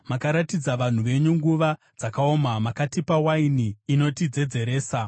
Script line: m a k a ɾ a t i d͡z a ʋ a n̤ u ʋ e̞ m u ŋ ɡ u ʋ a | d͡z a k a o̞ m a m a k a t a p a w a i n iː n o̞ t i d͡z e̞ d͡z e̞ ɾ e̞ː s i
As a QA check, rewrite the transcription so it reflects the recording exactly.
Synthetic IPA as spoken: m a k a ɾ a t i d͡z a ʋ a n̤ u ʋ e̞ ɲ u ŋ ɡ u ʋ a | d͡z a k a o̞ m a m a k a t i p a w a i n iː n o̞ t i d͡z e̞ d͡z e̞ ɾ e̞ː s a